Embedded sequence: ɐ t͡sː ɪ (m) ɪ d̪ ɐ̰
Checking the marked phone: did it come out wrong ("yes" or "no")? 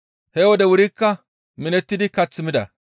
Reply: no